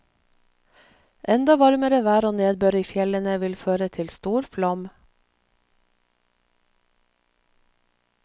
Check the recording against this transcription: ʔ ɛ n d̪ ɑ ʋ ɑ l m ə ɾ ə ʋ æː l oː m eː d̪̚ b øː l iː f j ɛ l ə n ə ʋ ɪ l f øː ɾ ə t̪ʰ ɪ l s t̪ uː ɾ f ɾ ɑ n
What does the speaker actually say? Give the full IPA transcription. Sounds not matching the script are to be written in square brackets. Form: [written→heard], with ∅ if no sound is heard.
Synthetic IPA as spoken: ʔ ɛ n d̪ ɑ ʋ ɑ [l→ɾ] m ə ɾ ə ʋ æː [l→ɾ] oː [m→n] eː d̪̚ b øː [l→ɾ] iː f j ɛ l ə n ə ʋ ɪ l f øː ɾ ə t̪ʰ ɪ l s t̪ uː ɾ f [ɾ→l] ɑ [n→m]